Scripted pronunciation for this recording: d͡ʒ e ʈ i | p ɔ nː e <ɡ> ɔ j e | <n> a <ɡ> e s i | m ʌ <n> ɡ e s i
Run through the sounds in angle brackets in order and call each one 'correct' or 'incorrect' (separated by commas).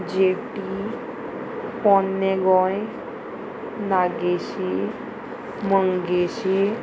correct, correct, correct, incorrect